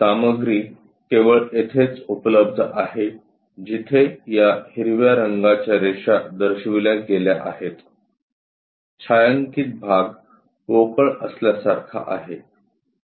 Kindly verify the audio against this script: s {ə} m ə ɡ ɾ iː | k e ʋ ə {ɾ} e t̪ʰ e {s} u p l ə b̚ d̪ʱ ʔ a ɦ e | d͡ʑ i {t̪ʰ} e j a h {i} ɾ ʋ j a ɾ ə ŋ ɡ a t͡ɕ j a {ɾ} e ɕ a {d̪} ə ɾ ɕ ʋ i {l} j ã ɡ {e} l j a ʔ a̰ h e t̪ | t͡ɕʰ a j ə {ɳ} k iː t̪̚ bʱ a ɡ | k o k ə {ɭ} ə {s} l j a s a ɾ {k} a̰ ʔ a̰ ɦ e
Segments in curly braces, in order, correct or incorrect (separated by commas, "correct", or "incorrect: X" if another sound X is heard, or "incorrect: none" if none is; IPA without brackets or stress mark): incorrect: a, incorrect: ɭ, incorrect: t͡s, correct, correct, correct, correct, correct, correct, incorrect: ŋ, correct, correct, incorrect: kʰ